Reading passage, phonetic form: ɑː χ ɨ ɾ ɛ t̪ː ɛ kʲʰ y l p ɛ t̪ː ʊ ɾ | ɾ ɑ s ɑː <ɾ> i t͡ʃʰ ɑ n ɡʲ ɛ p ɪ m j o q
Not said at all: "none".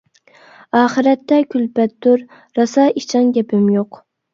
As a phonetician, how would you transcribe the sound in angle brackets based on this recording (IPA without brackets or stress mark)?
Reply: none